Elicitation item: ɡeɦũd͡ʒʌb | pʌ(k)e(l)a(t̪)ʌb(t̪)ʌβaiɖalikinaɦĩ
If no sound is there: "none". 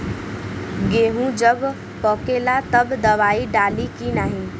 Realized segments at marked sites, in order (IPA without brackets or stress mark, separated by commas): k, l, t̪, d̪